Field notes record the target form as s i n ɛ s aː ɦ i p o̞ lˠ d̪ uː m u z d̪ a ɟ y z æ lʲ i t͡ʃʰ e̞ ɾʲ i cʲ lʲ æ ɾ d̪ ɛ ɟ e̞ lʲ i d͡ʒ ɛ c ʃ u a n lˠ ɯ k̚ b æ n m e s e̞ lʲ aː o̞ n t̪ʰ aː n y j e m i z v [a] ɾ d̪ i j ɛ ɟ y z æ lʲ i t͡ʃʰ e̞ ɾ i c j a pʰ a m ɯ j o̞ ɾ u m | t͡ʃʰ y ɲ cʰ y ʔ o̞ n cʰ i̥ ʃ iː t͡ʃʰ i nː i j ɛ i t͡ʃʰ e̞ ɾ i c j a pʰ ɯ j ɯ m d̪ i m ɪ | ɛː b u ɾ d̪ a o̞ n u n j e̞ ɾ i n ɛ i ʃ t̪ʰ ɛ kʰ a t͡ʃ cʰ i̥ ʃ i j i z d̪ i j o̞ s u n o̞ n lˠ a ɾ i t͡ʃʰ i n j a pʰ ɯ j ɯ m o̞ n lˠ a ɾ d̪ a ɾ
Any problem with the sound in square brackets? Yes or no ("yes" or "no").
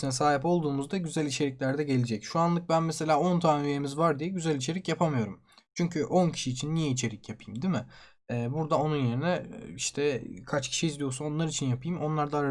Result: no